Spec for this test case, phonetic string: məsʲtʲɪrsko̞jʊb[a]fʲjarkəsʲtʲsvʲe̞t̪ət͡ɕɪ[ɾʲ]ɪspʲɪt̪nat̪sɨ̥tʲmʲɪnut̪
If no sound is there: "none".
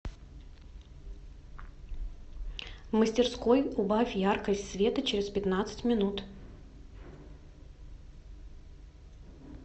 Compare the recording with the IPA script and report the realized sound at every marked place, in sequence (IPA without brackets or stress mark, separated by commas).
a, ɾʲ